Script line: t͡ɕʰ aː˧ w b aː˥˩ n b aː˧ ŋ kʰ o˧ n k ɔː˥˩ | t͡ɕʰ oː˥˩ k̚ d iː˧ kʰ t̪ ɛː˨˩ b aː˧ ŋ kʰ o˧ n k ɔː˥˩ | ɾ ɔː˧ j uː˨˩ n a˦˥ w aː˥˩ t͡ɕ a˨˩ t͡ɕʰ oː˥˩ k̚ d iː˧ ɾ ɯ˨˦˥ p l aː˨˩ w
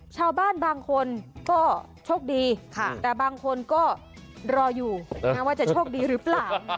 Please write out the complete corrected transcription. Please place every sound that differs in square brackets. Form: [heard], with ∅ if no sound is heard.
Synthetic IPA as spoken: t͡ɕʰ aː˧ w b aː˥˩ n b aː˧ ŋ kʰ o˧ n k ɔː˥˩ | t͡ɕʰ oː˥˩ k̚ d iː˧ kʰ t̪ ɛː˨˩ b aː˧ ŋ kʰ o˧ n k ɔː˥˩ | ɾ ɔː˧ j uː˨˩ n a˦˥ w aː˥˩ t͡ɕ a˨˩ t͡ɕʰ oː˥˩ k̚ d iː˧ ɾ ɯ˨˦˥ p l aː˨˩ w